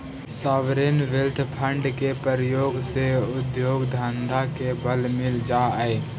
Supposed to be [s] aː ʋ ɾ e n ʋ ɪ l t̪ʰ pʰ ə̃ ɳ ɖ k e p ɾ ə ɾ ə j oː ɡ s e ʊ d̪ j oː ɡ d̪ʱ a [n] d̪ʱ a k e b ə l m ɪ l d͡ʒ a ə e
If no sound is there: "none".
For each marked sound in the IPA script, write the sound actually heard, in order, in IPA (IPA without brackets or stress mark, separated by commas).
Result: s, n